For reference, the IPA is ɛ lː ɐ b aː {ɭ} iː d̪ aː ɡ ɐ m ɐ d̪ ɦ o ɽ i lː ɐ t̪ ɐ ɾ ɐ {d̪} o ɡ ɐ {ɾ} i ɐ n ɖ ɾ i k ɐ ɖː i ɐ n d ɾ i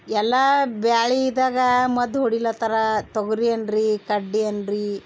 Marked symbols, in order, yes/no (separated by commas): yes, no, yes